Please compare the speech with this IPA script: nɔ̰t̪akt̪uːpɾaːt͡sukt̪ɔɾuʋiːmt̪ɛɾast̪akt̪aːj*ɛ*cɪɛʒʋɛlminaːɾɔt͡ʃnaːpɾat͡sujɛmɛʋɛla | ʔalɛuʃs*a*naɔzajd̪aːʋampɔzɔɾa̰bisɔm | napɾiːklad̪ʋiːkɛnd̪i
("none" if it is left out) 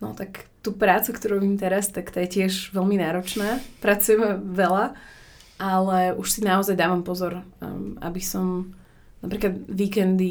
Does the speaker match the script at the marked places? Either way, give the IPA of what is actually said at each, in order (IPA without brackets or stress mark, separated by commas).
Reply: ɛ, i